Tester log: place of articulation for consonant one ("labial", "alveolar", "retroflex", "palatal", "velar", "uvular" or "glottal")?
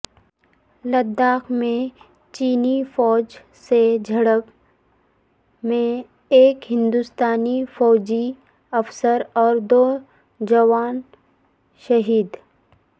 alveolar